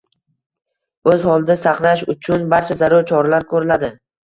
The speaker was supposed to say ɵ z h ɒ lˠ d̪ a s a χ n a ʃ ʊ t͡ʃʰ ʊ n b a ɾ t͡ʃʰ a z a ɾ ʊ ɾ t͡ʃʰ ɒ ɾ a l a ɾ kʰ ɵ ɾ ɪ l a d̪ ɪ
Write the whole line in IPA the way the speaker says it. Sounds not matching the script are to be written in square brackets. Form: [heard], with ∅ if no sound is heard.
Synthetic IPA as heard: ɵ z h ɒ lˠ d̪ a s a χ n a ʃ ʊ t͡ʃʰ ʊ n b a ɾ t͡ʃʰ a z a ɾ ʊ ɾ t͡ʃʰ ɒ ɾ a l a ɾ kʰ ɵ ɾ ɪ l a d̪ ɪ